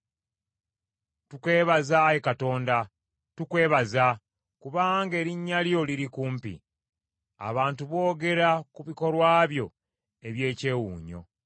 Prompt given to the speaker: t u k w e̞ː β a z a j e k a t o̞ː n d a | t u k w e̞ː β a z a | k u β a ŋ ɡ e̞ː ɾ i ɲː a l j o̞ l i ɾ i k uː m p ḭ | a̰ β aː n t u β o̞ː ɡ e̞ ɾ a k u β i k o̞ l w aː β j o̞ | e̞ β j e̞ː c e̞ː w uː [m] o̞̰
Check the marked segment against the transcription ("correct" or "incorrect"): incorrect